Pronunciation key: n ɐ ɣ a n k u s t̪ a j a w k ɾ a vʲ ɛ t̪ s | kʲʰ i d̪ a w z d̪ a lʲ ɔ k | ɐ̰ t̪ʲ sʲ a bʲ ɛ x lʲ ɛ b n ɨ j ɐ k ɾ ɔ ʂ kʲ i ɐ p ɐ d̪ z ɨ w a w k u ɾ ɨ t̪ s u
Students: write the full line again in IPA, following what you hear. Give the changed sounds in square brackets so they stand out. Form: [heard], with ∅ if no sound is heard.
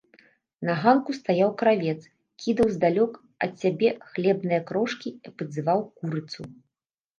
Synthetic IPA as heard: n ɐ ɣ a n k u s t̪ a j a w k ɾ a vʲ ɛ t̪ s | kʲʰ i d̪ [ɐ] w z d̪ a lʲ ɔ k | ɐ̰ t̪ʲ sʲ a bʲ ɛ x lʲ ɛ b n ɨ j ɐ k ɾ ɔ ʂ kʲ i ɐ p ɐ d̪ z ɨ [v] a w k u ɾ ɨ t̪ s u